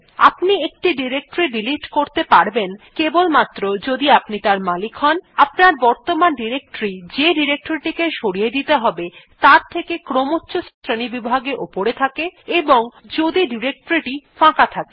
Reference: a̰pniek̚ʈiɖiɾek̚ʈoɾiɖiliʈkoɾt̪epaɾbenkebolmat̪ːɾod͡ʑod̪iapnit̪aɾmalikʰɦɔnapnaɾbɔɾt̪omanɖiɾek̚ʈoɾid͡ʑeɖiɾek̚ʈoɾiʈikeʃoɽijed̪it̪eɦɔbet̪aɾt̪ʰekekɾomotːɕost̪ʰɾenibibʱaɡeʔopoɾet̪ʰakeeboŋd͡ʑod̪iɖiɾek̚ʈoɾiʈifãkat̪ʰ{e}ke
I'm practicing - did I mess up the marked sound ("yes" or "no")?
yes